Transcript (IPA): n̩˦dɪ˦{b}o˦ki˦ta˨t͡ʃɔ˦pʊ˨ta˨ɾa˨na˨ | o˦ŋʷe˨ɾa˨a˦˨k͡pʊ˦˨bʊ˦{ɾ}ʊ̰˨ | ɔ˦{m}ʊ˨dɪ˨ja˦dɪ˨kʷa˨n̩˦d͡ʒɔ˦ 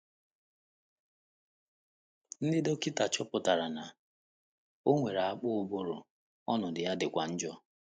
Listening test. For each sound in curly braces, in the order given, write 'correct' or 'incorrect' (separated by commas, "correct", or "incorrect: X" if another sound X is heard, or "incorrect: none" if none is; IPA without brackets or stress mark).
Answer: incorrect: d, correct, incorrect: n